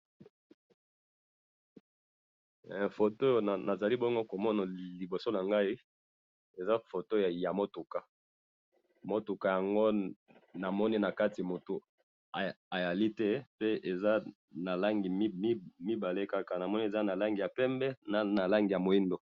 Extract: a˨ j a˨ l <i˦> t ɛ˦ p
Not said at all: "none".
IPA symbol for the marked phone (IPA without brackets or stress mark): i˦